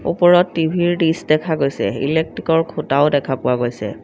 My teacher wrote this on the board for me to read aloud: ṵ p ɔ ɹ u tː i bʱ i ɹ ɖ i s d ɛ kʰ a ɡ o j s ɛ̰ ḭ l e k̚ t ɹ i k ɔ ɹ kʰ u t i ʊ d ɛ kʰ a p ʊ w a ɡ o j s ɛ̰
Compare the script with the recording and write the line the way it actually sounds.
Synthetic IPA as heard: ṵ p ɔ ɹ ɔ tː i bʱ i ɹ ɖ i s d ɛ kʰ a ɡ o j s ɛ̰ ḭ l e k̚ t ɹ i k ɔ ɹ kʰ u t a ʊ d ɛ kʰ a p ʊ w a ɡ o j s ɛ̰